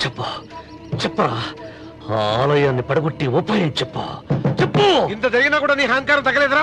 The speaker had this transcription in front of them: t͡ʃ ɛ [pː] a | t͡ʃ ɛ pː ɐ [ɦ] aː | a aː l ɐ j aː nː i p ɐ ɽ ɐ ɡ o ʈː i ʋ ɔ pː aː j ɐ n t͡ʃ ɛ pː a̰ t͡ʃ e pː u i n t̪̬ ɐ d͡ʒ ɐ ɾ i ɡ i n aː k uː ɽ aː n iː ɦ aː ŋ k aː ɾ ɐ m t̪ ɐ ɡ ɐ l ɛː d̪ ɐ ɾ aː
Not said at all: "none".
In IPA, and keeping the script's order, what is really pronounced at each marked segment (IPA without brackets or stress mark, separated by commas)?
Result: pː, none